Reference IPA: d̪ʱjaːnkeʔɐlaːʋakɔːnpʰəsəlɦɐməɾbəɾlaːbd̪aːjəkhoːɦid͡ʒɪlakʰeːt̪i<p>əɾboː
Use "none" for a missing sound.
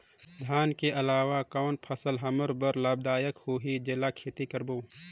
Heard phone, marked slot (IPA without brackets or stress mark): k